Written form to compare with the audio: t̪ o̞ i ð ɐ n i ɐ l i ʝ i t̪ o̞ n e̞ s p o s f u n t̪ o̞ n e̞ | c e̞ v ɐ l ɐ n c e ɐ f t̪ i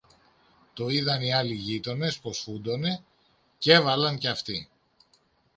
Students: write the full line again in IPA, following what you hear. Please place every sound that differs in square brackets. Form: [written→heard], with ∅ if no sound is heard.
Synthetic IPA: t̪ o̞ i ð ɐ n i ɐ l i ʝ i t̪ o̞ n e̞ s p o s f u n [t̪→d̪] o̞ n e̞ | c e̞ v ɐ l ɐ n c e ɐ f t̪ i